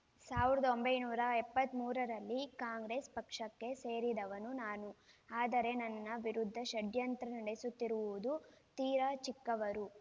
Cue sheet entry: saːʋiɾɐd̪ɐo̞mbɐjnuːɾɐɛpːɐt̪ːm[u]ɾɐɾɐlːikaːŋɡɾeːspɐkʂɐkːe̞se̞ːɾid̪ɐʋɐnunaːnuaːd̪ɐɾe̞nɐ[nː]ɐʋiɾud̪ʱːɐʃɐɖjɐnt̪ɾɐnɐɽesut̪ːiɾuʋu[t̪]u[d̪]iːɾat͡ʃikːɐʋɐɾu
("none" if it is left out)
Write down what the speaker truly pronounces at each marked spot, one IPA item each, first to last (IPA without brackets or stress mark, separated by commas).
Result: uː, nː, d̪, t̪